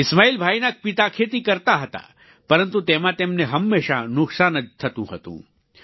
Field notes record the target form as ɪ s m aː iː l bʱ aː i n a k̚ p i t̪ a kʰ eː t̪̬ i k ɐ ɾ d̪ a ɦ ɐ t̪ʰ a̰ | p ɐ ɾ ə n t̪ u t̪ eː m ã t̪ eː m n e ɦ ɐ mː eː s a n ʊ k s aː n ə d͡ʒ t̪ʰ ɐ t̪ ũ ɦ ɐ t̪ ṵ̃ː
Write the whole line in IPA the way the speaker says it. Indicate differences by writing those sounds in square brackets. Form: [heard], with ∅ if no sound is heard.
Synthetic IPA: ɪ s m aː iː l bʱ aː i n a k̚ p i t̪ a kʰ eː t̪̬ i k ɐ ɾ [t̪] a ɦ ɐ [t̪] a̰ | p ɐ ɾ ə n t̪ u t̪ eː m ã t̪ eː m n e ɦ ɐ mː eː [ʃ] a n ʊ k s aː n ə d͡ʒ t̪ʰ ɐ t̪ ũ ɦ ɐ t̪ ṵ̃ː

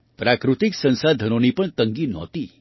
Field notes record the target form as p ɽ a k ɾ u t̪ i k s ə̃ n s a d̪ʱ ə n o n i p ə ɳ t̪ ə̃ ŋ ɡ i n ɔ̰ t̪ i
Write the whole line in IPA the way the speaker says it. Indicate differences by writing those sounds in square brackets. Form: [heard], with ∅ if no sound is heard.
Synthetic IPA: p [ɾ] a k ɾ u t̪ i k s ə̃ n s a d̪ʱ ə n o n i p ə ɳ t̪ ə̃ ŋ ɡ i n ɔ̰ t̪ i

